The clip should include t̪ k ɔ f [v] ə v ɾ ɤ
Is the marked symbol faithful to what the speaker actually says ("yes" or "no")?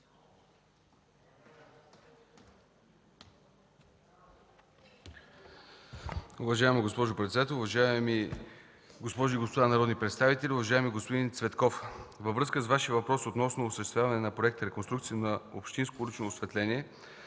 yes